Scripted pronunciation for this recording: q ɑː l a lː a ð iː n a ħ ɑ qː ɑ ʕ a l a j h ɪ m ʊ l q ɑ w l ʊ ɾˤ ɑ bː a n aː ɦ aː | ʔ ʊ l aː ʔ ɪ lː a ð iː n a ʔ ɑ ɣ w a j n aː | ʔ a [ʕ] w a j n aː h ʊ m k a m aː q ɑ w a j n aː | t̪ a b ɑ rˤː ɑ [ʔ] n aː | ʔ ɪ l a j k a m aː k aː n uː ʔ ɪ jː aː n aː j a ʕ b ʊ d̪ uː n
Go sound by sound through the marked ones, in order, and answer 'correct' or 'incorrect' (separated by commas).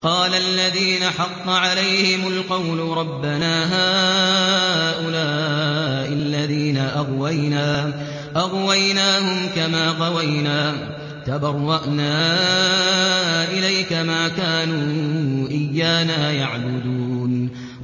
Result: incorrect, correct